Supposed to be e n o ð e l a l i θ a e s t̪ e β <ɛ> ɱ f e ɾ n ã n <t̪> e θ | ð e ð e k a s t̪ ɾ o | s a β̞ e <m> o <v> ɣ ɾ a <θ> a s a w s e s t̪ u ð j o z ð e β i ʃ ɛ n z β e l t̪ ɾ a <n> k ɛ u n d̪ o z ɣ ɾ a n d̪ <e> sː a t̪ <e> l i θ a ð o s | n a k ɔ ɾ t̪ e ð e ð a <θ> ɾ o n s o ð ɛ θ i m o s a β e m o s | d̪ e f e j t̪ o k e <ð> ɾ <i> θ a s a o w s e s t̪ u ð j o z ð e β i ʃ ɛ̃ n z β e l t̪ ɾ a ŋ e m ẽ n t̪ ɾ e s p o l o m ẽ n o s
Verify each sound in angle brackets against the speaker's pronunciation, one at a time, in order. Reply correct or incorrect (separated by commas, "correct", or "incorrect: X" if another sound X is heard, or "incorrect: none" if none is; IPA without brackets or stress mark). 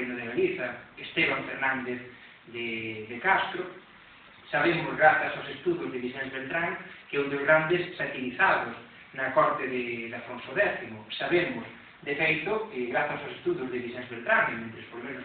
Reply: incorrect: a, incorrect: d̪, correct, incorrect: z, correct, incorrect: ŋ, correct, incorrect: i, incorrect: f, incorrect: ɣ, incorrect: a